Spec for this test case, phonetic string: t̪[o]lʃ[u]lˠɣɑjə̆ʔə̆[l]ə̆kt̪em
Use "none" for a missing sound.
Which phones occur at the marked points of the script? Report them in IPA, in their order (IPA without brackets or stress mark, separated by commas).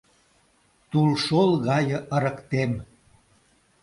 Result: u, o, ɾ